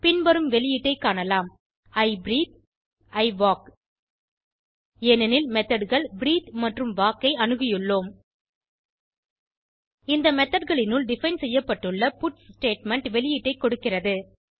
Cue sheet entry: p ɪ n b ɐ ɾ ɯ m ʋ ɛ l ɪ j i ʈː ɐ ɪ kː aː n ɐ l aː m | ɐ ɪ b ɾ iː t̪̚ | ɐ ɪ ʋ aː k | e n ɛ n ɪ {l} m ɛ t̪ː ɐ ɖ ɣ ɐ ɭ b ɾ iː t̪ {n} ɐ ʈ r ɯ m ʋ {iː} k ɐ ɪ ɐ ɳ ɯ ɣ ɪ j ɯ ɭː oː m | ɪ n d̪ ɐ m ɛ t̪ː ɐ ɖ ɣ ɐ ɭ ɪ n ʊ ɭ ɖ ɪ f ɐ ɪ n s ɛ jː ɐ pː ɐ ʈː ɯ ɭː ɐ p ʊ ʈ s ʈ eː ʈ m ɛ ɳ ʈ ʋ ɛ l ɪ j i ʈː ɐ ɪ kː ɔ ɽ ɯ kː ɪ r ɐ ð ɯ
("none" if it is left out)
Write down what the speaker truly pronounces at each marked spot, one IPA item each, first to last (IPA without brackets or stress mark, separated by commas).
l, m, aː